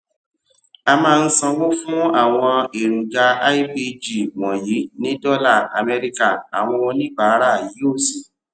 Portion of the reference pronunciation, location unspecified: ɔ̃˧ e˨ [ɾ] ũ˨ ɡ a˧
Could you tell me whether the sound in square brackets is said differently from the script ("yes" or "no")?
no